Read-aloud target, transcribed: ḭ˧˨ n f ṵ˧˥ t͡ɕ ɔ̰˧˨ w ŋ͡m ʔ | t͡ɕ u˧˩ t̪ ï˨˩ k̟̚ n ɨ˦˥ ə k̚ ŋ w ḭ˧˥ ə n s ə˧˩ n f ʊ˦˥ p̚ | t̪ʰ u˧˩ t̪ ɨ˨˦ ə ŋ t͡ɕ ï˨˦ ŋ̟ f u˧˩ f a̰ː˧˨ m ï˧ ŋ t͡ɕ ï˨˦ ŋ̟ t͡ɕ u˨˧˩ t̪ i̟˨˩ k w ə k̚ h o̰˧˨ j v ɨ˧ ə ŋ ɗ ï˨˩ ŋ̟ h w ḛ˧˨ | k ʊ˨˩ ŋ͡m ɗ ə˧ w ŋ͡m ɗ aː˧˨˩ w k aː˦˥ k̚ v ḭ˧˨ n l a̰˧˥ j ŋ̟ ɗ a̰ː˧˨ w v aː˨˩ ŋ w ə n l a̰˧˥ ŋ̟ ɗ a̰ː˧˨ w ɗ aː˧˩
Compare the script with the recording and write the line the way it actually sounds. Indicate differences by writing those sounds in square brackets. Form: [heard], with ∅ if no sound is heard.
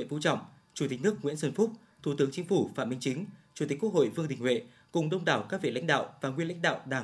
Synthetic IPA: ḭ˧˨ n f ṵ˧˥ t͡ɕ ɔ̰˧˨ w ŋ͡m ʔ | t͡ɕ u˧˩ t̪ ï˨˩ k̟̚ n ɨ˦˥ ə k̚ ŋ w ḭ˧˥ ə n s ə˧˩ n f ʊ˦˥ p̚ | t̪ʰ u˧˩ t̪ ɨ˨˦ ə ŋ t͡ɕ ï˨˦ ŋ̟ f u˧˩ f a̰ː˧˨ m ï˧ ŋ t͡ɕ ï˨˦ ŋ̟ t͡ɕ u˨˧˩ t̪ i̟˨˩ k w ə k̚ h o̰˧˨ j v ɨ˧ ə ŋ ɗ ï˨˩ ŋ̟ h w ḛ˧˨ | k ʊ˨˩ ŋ͡m ɗ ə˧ w ŋ͡m ɗ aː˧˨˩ w k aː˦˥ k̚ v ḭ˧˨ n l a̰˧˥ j ŋ̟ ɗ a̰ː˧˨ w v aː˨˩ ŋ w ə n l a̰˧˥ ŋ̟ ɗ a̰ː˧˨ w ɗ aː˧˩